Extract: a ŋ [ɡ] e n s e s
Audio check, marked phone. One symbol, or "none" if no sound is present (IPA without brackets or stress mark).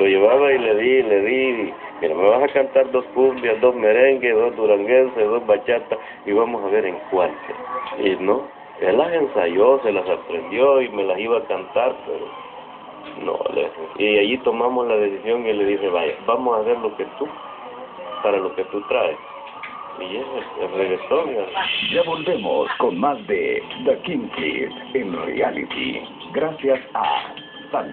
ɡ